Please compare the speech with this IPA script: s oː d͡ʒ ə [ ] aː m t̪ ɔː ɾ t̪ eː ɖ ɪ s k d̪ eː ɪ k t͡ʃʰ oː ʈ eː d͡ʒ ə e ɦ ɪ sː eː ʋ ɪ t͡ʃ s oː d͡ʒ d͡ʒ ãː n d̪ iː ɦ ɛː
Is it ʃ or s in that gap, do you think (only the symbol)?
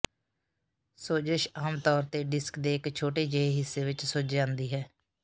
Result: ʃ